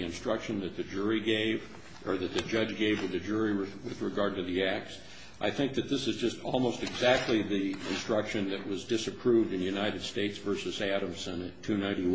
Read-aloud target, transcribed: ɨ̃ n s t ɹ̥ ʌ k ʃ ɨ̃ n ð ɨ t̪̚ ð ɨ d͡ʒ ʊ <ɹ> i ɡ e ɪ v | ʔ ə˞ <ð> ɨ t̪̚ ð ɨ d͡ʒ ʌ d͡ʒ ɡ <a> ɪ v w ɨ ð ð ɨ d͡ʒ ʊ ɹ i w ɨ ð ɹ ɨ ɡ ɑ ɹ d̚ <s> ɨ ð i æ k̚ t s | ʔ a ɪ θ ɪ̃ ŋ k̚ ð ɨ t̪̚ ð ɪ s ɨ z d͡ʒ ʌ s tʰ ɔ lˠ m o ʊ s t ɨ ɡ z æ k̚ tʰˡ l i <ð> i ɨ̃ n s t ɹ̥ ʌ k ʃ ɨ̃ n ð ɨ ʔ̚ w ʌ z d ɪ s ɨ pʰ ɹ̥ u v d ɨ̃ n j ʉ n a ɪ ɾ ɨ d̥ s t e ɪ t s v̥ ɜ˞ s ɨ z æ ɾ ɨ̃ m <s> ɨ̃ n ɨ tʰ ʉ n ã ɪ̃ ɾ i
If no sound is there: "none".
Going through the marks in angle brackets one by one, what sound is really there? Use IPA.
ɹ, ð, e, t, ð, s

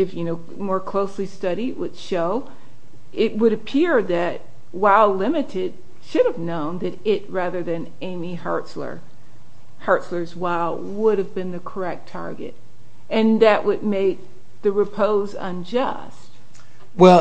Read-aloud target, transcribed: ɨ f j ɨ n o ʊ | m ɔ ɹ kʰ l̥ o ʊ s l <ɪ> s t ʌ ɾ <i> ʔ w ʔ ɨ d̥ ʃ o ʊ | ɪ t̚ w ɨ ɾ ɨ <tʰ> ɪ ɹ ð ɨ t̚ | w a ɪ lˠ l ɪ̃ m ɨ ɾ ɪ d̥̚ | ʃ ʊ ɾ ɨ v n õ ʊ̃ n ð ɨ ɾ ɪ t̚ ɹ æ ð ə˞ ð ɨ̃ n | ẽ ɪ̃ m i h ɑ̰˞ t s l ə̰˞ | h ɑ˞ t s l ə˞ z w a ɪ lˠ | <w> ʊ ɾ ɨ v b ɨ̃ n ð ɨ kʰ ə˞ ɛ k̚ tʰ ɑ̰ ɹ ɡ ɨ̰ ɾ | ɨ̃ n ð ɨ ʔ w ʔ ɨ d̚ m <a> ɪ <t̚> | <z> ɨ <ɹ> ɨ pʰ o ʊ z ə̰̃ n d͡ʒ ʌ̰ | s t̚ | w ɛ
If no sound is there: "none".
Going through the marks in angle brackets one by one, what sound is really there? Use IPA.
i, i, pʰ, w, e, k̚, ð, ɹ

